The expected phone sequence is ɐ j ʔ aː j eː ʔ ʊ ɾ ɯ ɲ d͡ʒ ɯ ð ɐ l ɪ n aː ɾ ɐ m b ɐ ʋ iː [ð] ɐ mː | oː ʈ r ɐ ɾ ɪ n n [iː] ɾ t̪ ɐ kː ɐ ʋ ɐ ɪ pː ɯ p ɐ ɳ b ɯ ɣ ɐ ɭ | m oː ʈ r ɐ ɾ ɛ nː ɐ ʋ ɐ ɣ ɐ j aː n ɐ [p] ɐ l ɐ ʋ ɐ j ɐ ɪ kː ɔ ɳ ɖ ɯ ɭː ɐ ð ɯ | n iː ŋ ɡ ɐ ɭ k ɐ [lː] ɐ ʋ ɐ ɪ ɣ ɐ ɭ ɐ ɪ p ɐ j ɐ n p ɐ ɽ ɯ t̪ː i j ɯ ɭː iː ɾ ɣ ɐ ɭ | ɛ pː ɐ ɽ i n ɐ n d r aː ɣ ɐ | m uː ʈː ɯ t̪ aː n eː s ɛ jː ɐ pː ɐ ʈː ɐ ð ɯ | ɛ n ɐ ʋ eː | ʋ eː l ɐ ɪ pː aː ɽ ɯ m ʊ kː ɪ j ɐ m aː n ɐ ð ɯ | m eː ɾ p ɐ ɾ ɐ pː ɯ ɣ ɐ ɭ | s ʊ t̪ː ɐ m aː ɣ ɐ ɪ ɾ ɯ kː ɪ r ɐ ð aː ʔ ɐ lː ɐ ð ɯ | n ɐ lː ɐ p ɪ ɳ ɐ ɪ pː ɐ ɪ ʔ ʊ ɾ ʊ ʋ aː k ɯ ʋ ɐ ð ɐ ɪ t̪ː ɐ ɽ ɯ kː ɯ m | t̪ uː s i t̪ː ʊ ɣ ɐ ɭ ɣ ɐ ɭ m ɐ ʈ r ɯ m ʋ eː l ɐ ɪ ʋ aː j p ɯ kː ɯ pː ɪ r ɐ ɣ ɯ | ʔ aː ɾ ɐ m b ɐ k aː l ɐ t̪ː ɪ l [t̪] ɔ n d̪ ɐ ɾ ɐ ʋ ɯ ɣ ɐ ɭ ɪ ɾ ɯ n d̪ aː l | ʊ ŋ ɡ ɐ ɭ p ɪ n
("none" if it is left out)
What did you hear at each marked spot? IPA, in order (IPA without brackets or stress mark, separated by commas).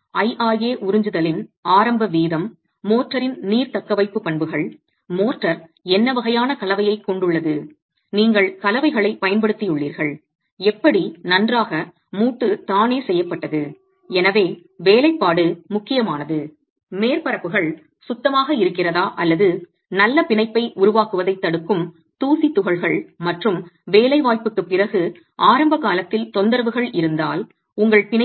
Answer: ð, iː, k, l, t̪